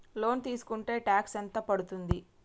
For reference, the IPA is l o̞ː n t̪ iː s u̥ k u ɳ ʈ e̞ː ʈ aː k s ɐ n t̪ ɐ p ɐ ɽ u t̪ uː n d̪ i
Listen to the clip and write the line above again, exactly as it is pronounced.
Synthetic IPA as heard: l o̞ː n t̪ iː s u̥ k u ɳ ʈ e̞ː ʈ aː k s ɐ n t̪ ɐ p ɐ ɽ u t̪ u n d̪ i